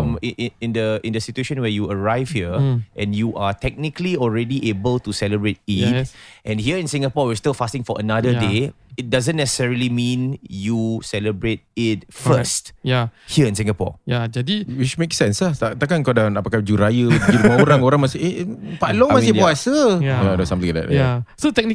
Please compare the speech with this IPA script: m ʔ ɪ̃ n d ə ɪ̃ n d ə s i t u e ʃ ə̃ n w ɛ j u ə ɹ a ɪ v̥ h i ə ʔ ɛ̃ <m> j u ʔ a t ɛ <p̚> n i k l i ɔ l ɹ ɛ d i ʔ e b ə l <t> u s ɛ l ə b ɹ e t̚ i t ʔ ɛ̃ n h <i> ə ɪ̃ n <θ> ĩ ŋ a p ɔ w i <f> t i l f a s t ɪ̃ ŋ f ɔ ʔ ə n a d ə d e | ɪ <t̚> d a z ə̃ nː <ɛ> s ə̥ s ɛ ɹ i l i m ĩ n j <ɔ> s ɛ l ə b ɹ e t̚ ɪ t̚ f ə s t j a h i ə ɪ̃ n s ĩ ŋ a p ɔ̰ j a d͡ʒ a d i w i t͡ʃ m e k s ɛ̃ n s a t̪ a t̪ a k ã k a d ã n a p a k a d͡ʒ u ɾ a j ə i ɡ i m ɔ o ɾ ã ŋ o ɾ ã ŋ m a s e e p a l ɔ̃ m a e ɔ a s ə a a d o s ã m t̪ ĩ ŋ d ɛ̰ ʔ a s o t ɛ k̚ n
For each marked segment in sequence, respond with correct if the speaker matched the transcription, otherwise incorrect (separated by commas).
incorrect, incorrect, correct, correct, incorrect, incorrect, correct, correct, incorrect